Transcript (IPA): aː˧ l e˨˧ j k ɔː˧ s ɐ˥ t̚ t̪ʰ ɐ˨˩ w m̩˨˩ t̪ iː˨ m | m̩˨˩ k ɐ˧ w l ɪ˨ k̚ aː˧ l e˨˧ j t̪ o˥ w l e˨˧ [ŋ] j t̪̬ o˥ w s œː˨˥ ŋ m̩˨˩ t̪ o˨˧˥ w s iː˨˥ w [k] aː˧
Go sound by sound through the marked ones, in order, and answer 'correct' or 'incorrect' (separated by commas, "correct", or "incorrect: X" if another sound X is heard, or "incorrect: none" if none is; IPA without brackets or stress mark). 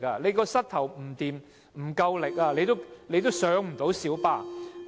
incorrect: none, incorrect: p